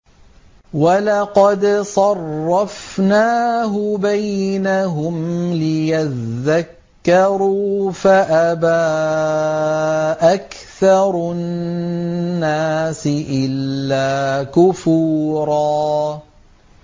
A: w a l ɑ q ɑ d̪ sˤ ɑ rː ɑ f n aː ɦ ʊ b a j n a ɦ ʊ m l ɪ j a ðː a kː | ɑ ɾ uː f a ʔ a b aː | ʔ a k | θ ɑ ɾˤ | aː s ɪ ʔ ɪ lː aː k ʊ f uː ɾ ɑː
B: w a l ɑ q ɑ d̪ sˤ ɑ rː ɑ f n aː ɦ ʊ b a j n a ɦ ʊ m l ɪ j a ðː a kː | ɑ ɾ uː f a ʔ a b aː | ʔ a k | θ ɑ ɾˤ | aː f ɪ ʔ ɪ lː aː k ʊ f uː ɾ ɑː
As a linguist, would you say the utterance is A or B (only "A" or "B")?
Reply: A